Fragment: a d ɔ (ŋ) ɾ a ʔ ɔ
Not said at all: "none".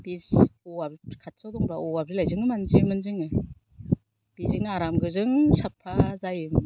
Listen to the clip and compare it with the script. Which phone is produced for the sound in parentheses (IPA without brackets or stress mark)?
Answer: ŋ